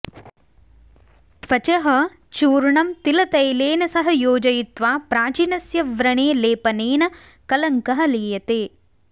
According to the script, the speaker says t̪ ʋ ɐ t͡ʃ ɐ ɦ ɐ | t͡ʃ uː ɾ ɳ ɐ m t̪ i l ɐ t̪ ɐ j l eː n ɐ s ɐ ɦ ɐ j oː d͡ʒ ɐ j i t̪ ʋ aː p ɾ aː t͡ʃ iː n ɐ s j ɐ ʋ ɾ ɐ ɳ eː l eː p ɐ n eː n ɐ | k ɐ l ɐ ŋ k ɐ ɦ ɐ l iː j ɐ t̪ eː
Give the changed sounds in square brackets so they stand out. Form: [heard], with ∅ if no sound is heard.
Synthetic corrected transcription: t̪ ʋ ɐ t͡ʃ ɐ ɦ ɐ | t͡ʃ uː ɾ ɳ ɐ m t̪ i l ɐ t̪ ɐ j l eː n ɐ s ɐ ɦ ɐ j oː d͡ʒ ɐ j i t̪ ʋ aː p ɾ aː t͡ʃ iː n ɐ s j ɐ ʋ ɾ ɐ ɳ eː l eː p ɐ n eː n ɐ | k ɐ l ɐ ŋ k ɐ ɦ ɐ l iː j ɐ t̪ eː